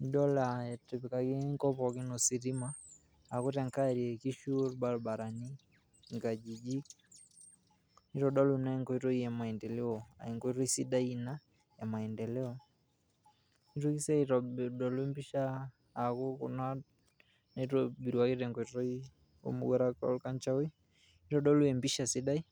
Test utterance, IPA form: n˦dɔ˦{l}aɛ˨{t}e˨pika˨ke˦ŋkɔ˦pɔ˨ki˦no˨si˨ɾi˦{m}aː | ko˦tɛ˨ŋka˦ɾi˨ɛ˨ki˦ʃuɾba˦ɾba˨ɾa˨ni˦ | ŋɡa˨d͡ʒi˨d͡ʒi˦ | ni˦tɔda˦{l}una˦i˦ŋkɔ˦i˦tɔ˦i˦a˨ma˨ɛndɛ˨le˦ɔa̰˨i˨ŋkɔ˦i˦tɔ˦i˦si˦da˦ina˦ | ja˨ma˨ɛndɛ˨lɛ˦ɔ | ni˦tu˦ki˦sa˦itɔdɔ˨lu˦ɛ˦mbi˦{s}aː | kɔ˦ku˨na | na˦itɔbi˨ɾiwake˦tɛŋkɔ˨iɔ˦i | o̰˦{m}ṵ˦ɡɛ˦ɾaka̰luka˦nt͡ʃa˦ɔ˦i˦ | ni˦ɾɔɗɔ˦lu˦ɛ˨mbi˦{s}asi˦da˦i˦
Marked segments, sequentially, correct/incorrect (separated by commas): correct, correct, correct, correct, incorrect, correct, incorrect